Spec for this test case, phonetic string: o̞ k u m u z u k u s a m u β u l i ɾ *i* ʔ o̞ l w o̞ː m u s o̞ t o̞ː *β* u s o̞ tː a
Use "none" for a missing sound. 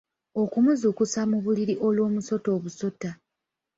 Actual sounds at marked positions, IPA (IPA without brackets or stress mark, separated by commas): i, β